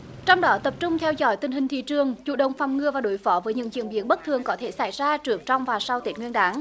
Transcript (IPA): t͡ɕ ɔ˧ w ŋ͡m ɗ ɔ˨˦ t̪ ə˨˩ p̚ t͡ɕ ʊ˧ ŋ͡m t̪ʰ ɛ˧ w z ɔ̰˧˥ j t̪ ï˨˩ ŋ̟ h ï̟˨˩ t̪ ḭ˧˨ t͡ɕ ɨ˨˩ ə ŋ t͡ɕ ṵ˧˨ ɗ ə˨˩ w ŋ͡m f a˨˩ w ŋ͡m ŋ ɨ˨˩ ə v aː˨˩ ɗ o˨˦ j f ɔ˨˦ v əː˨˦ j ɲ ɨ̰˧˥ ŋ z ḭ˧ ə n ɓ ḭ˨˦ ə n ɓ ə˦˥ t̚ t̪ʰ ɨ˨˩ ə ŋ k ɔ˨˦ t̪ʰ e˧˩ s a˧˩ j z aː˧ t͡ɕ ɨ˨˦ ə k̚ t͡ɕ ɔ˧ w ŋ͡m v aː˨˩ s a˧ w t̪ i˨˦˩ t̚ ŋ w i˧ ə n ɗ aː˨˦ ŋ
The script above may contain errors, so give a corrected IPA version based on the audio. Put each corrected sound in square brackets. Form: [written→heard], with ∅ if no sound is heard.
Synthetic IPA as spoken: t͡ɕ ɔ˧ w ŋ͡m ɗ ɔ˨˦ t̪ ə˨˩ p̚ t͡ɕ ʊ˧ ŋ͡m t̪ʰ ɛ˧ w z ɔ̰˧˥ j t̪ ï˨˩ ŋ̟ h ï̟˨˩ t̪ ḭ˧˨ t͡ɕ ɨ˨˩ ə ŋ t͡ɕ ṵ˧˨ ɗ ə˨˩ w ŋ͡m f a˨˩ w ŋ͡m ŋ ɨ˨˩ ə v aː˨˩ ɗ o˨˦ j f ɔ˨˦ v əː˨˦ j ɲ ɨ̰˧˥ ŋ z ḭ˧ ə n ɓ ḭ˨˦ ə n ɓ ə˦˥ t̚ t̪ʰ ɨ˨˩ ə ŋ k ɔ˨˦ t̪ʰ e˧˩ s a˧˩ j z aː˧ t͡ɕ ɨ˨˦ ə k̚ t͡ɕ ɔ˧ w ŋ͡m v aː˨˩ s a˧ w t̪ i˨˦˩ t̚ ŋ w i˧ ə n ɗ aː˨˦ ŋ